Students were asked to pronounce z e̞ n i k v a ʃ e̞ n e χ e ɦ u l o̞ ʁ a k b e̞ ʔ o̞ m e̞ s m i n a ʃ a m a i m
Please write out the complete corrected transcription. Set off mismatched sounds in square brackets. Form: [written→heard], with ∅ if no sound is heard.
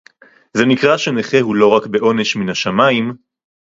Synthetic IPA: z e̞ n i k [v→ʁ] a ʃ e̞ n e χ e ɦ u l o̞ ʁ a k b e̞ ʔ o̞ [m→n] e̞ [s→ʃ] m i n a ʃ a m a i m

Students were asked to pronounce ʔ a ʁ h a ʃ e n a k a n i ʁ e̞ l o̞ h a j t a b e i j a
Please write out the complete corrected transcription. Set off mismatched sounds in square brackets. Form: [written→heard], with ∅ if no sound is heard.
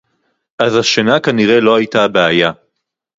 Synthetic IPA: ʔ a [ʁ→z] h a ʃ e n a k a n i ʁ e̞ l o̞ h a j t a b e [i→a] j a

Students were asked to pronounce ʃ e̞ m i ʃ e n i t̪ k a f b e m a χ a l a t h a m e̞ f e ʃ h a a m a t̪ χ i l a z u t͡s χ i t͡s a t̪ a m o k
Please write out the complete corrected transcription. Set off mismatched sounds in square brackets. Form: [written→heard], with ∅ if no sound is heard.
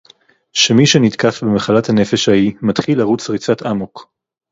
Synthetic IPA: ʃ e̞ m i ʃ e n i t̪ k a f b e m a χ a l a t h a [m→n] e̞ f e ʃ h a [a→i] m a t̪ χ i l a [z→ʁ] u t͡s [χ→ʁ] i t͡s a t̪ a m o k

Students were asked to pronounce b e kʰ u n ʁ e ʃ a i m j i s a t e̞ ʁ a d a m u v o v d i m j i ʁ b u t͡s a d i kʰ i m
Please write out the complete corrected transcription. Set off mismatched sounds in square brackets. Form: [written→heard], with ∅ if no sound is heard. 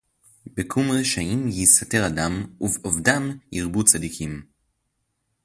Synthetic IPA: b e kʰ u [n→m] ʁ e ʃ a i m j i s a t e̞ ʁ a d a m u v o v d [i→a] m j i ʁ b u t͡s a d i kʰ i m

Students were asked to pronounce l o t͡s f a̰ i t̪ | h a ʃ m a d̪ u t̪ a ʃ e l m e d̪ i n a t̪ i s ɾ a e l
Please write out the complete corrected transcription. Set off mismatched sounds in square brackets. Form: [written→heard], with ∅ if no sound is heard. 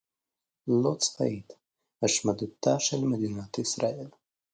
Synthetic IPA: l o t͡s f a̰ i t̪ | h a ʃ m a d̪ u t̪ a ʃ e l m e d̪ i n a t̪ i s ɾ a e l

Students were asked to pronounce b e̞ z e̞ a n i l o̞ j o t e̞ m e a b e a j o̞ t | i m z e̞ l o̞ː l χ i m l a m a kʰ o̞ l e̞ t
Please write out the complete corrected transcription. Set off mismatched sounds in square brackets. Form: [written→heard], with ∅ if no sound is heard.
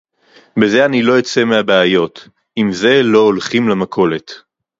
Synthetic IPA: b e̞ z e̞ a n i l o̞ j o [t→t͡s] e̞ m e a b e a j o̞ t | i m z e̞ l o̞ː l χ i m l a m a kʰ o̞ l e̞ t

